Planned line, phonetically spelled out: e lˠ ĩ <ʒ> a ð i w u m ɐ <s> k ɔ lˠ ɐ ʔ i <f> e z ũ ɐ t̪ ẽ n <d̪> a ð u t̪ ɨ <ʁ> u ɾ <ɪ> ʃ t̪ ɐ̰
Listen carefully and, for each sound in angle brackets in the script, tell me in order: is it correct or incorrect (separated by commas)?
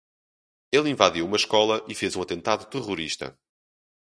incorrect, incorrect, correct, incorrect, correct, incorrect